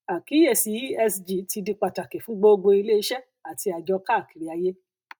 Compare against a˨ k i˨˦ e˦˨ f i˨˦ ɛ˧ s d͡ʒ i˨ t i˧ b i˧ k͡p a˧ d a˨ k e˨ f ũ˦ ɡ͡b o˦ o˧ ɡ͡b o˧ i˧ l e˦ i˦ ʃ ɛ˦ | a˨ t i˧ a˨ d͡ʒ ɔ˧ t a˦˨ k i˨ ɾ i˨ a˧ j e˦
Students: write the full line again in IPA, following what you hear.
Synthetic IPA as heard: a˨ k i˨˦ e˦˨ s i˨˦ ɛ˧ s d͡ʒ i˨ t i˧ d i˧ k͡p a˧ t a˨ k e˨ f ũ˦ ɡ͡b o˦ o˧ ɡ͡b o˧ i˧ l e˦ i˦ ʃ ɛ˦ | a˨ t i˧ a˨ d͡ʒ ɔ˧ k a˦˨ k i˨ ɾ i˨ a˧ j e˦